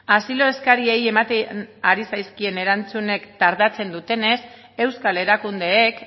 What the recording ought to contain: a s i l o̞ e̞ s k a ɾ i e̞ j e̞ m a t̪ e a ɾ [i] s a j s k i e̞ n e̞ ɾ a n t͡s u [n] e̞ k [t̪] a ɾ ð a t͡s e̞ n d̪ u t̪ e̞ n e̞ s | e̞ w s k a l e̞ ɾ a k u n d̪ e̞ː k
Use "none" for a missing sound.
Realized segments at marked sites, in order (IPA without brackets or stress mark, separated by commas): i, n, t̪